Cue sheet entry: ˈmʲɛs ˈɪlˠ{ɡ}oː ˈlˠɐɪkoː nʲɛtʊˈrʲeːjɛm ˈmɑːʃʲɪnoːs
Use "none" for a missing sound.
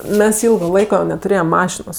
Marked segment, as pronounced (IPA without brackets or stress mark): ɡ